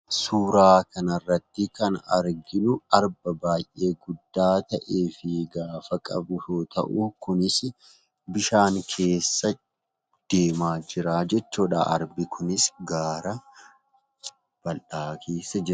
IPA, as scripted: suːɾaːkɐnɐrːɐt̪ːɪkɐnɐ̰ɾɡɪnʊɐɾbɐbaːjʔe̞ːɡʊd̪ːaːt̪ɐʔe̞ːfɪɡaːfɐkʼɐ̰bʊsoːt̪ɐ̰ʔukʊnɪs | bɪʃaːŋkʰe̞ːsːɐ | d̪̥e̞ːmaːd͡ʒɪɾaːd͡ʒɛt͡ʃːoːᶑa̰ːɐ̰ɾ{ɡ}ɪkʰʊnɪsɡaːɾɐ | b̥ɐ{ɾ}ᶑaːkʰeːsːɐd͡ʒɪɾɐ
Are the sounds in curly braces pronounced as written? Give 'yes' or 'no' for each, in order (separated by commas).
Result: no, no